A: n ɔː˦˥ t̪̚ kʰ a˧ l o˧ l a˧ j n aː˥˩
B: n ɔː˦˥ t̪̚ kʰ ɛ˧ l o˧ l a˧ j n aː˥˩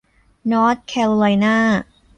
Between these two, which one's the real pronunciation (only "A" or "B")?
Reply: B